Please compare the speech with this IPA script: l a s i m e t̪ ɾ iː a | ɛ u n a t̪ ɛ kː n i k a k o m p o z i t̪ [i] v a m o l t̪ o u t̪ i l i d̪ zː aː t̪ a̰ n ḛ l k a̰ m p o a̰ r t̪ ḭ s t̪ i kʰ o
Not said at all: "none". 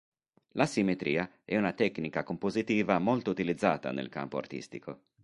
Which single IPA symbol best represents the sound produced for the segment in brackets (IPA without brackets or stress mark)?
iː